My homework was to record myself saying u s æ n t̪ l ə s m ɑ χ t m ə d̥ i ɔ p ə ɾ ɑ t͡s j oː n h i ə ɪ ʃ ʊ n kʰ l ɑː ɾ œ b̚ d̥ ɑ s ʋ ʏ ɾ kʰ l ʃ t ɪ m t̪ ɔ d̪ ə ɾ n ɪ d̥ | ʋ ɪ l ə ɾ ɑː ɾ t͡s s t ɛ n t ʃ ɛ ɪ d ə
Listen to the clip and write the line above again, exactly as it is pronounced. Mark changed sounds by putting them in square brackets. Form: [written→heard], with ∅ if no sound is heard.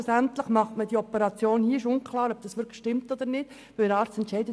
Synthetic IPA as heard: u s æ n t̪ l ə [s→χ] m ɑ χ t m ə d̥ i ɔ p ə ɾ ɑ t͡s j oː n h i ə ɪ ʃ ʊ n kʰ l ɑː ɾ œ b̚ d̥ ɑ s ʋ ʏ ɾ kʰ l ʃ t ɪ m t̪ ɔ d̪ ə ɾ n ɪ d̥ | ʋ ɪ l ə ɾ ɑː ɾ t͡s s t ɛ n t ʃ ɛ ɪ d ə